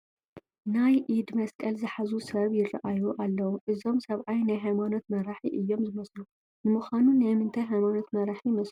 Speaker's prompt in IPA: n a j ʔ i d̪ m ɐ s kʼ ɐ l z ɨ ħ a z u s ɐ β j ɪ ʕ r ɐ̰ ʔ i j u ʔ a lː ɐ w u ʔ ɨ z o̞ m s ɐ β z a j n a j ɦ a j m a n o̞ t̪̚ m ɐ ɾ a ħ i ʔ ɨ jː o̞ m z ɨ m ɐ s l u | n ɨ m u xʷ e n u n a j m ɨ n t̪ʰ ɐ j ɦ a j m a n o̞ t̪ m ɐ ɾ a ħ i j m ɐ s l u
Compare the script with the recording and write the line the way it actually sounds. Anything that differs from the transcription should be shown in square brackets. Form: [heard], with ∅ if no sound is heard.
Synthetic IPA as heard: n a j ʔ i d̪ m ɐ s kʼ ɐ l z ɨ ħ a z u s ɐ β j ɪ [∅] r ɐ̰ ʔ [a] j u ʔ a lː ɐ w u ʔ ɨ z o̞ m s ɐ β [ʕ] a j n a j ɦ a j m a n o̞ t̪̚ m ɐ ɾ a ħ i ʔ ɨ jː o̞ m z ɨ m ɐ s l u | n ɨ m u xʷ [a] n u n a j m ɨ n t̪ʰ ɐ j ɦ a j m a n o̞ t̪ m ɐ ɾ a ħ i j m ɐ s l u